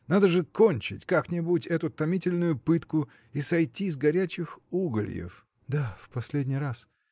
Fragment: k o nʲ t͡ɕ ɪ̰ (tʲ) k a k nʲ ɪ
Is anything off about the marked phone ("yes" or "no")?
no